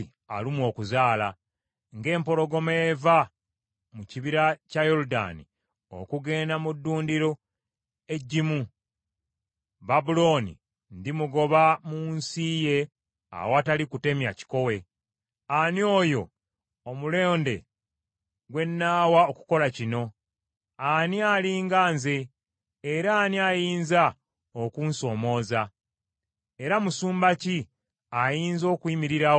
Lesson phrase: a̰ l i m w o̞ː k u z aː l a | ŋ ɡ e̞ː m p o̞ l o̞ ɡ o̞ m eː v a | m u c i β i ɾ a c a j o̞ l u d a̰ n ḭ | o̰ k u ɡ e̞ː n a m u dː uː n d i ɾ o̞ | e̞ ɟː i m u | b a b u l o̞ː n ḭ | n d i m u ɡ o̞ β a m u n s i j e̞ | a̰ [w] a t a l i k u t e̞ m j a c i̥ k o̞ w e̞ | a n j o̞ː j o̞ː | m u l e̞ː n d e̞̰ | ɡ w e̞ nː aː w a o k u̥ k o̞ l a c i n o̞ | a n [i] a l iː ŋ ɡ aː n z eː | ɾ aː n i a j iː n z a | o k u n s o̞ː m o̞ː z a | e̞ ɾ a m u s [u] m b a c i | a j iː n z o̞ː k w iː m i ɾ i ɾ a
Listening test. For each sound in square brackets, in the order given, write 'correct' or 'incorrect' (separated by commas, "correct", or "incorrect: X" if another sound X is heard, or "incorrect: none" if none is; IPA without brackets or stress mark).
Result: correct, correct, incorrect: uː